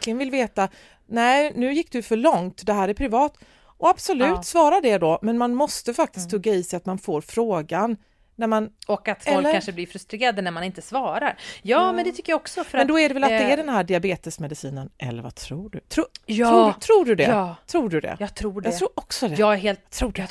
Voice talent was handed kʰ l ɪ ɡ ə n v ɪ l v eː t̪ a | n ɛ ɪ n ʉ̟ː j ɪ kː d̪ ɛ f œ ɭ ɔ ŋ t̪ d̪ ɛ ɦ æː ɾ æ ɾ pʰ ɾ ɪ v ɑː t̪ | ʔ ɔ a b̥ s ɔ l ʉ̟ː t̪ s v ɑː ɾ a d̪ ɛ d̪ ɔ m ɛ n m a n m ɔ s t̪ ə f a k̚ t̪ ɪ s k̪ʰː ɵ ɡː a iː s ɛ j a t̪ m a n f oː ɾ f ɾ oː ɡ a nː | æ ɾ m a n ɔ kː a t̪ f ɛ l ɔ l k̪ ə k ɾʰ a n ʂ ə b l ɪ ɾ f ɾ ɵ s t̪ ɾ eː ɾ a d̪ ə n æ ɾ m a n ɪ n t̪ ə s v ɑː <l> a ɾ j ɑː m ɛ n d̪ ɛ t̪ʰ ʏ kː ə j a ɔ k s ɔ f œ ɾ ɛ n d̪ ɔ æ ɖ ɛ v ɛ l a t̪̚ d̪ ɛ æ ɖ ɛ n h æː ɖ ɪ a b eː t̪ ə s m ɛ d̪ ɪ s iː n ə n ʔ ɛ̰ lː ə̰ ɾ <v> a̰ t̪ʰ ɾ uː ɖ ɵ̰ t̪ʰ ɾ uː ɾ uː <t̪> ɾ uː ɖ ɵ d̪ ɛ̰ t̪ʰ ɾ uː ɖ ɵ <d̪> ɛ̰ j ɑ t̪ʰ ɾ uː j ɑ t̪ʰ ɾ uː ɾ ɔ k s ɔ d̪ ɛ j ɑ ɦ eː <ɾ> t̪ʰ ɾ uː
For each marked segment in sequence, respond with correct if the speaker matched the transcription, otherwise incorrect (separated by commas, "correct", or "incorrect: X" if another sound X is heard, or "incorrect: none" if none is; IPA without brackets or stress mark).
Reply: incorrect: ɾ, correct, incorrect: t̪ʰ, correct, incorrect: l